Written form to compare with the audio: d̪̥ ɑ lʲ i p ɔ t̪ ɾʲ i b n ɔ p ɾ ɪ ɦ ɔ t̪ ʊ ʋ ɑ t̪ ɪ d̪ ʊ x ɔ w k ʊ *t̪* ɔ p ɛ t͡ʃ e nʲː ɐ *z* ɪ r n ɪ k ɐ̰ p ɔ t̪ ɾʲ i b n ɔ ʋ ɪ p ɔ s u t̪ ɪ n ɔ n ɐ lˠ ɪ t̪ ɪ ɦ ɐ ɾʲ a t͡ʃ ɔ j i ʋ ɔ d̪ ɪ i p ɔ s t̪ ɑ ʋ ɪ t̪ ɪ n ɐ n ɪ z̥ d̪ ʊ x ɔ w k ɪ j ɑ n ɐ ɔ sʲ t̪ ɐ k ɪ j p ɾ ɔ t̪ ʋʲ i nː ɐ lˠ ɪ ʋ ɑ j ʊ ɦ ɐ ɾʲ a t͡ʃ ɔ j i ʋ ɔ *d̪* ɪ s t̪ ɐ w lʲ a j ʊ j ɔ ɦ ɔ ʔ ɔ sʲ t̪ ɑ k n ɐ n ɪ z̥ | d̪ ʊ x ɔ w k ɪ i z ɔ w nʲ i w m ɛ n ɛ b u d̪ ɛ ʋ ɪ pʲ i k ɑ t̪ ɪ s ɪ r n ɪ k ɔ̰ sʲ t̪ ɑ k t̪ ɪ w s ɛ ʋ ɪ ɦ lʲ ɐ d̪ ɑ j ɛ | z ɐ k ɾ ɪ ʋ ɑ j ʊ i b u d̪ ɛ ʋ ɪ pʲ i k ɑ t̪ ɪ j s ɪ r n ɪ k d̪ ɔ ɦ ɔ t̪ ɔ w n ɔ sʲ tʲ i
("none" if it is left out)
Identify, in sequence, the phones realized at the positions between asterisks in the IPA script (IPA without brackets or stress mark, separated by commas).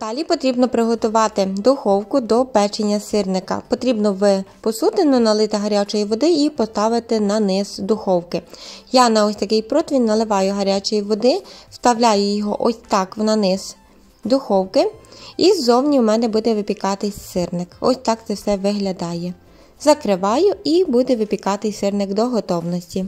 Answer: d̪, s, d̪